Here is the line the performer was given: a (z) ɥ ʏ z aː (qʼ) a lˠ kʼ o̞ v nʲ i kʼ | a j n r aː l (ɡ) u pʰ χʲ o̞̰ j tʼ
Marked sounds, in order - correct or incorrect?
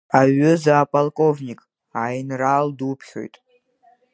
incorrect: none, incorrect: pʼ, incorrect: d

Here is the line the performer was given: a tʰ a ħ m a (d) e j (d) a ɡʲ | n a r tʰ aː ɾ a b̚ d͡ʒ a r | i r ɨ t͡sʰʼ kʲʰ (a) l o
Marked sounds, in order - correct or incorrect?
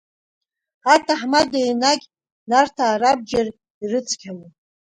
correct, incorrect: n, correct

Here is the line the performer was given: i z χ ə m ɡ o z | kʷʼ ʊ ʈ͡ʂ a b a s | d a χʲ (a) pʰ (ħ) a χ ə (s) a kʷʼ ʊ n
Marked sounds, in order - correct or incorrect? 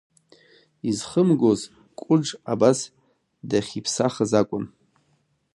incorrect: i, incorrect: s, incorrect: z

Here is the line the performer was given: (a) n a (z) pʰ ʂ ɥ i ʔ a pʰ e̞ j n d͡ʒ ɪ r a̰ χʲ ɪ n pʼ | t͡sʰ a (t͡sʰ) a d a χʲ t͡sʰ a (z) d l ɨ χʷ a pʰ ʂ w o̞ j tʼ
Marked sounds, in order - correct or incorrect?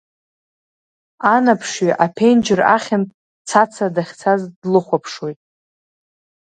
correct, incorrect: none, correct, correct

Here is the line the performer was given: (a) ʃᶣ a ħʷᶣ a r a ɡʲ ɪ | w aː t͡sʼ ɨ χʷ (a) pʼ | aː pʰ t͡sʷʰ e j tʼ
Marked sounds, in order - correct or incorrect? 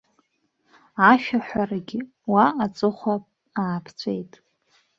correct, correct

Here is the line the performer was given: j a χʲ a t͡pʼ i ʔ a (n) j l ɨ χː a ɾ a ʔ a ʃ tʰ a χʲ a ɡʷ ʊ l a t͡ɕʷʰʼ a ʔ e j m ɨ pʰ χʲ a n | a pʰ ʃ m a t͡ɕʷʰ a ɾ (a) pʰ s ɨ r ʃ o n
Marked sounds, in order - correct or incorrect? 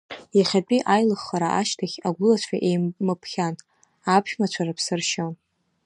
incorrect: none, correct

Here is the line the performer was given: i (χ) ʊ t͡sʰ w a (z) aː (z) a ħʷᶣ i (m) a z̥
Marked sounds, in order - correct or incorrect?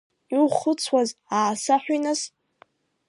correct, correct, incorrect: s, incorrect: n

